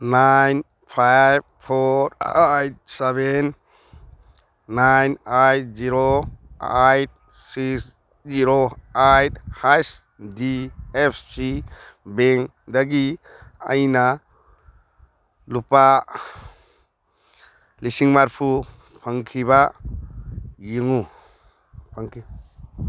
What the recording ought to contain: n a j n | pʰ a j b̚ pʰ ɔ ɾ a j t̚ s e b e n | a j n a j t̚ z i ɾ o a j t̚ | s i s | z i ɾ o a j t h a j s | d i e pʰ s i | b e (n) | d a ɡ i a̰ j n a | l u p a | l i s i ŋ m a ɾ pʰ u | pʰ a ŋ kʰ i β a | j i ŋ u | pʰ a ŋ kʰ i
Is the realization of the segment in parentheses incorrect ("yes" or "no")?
yes